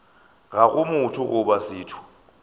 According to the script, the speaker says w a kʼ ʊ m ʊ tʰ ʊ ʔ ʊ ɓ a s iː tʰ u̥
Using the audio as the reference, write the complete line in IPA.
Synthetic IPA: ɣ a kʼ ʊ m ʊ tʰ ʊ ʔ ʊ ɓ a s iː tʰ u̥